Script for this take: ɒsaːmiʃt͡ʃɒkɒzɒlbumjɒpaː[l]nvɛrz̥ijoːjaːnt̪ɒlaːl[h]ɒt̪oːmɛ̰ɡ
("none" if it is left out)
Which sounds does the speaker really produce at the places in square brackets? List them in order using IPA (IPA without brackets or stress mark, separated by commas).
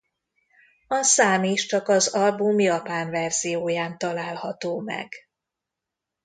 none, h